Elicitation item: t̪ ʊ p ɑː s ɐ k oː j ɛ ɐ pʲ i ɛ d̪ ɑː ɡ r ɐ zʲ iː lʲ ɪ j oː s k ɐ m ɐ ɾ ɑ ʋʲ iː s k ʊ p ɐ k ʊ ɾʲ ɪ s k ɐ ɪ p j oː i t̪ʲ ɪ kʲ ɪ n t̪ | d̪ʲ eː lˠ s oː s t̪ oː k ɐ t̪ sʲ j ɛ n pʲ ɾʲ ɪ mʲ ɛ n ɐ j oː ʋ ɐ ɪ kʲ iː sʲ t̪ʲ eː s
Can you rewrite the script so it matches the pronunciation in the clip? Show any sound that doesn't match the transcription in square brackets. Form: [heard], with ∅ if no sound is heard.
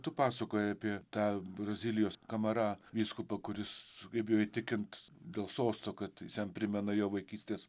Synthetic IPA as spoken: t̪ ʊ p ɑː s ɐ k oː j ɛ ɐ pʲ i ɛ [t̪] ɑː [b] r ɐ zʲ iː lʲ ɪ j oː s k ɐ m ɐ ɾ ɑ ʋʲ iː s k ʊ p ɐ k ʊ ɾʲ ɪ s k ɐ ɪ p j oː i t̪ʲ ɪ kʲ ɪ n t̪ | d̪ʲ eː lˠ s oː s t̪ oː k ɐ t̪ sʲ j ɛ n pʲ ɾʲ ɪ mʲ ɛ n ɐ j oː ʋ ɐ ɪ kʲ iː sʲ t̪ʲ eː s